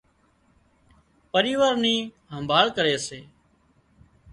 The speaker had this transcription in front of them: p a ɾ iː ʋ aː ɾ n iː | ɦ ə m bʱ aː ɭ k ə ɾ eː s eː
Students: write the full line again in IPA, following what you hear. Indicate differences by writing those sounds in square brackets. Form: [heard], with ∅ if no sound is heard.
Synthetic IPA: p [ə] ɾ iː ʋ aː ɾ n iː | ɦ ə m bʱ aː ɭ k ə ɾ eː s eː